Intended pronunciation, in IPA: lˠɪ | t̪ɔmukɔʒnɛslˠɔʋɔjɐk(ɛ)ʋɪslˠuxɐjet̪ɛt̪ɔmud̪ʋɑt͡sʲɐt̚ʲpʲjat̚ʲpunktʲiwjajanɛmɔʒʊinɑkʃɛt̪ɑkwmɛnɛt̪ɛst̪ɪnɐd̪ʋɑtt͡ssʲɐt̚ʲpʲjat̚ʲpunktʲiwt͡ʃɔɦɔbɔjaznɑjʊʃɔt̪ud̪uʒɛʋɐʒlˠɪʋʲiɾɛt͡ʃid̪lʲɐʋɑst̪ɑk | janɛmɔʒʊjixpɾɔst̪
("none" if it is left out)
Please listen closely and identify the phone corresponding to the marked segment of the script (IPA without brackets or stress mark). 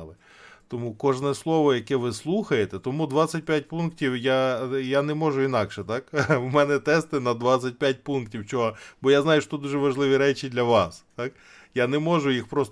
ɛ